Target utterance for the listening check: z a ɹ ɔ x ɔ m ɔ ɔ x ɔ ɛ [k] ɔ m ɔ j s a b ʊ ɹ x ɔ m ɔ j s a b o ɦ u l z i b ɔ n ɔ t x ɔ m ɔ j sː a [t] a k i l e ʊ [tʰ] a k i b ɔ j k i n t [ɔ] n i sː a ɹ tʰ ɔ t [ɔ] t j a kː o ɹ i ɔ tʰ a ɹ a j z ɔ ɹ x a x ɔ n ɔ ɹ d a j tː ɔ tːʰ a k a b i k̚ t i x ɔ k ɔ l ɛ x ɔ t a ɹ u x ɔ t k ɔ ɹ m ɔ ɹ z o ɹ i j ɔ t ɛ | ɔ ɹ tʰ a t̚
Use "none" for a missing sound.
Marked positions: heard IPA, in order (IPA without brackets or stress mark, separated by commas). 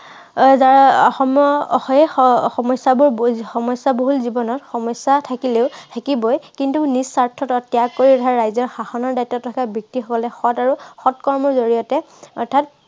x, tʰ, tʰ, u, ɔ